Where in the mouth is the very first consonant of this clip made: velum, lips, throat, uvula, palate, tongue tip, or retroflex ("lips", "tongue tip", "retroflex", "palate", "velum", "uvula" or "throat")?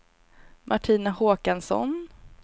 lips